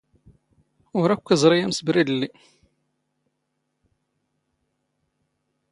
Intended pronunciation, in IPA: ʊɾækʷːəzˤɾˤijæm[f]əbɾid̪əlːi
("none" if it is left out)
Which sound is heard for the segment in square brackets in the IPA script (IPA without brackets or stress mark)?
s